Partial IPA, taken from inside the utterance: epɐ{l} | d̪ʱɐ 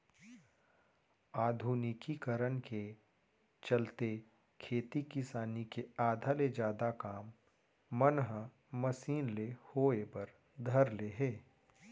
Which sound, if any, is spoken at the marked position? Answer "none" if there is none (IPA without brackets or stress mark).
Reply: ɾ